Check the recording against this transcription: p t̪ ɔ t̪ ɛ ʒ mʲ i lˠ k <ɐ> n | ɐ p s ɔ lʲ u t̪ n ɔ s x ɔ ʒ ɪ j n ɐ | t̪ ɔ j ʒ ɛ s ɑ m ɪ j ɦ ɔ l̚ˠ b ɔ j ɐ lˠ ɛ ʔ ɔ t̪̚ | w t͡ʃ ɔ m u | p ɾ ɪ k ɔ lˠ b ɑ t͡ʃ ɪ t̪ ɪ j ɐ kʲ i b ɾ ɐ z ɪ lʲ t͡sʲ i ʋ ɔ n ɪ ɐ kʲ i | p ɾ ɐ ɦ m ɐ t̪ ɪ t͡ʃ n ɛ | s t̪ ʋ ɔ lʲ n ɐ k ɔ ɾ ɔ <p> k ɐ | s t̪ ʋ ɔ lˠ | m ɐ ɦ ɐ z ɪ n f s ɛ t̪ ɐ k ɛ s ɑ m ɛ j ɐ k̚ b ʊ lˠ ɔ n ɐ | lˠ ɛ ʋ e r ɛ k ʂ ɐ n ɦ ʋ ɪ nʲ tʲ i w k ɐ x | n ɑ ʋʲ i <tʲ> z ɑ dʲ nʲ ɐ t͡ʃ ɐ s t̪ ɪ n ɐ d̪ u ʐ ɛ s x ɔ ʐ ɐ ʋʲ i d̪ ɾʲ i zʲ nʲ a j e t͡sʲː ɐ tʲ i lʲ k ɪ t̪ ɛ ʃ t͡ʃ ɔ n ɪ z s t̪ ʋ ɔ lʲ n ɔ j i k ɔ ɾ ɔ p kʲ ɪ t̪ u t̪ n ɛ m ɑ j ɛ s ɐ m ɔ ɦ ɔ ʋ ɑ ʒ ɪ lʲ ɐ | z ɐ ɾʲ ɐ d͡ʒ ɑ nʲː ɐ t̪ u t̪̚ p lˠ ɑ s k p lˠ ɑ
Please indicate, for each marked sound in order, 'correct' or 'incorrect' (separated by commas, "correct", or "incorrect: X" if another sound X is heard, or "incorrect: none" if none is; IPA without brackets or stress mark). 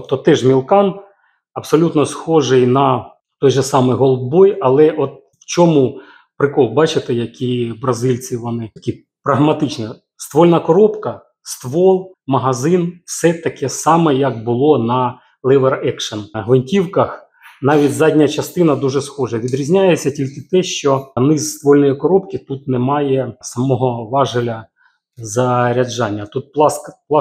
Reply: incorrect: ɑ, correct, correct